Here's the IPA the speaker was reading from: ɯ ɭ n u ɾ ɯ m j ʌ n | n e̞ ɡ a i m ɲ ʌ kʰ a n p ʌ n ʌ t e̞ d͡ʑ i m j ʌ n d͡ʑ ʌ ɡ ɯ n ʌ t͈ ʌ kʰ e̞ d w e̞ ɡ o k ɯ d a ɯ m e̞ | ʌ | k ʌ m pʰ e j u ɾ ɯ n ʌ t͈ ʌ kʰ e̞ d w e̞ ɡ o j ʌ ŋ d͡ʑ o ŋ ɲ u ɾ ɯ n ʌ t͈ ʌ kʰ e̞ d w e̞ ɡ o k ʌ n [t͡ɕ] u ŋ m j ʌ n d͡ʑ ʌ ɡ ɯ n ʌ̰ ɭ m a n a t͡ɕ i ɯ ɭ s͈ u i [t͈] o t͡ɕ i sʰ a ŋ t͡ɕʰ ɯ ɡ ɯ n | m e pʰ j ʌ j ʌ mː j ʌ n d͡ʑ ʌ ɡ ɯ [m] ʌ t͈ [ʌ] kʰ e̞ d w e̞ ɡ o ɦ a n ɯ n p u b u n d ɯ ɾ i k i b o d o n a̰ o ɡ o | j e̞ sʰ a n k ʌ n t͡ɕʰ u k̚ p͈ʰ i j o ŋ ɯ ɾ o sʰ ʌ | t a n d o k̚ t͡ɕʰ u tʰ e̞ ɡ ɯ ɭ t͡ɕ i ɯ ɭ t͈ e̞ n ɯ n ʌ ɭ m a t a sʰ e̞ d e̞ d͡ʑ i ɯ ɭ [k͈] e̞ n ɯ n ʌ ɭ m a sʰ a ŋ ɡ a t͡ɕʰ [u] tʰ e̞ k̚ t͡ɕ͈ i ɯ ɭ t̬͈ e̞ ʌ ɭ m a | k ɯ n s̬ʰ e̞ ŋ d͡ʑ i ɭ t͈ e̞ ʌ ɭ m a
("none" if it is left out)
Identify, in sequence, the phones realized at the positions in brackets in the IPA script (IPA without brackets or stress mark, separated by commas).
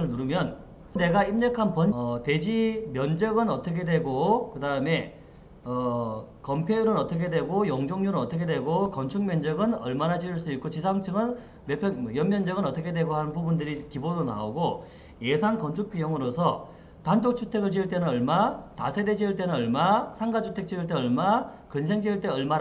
t͡ɕʰ, k͈, n, ʌ, t͈, u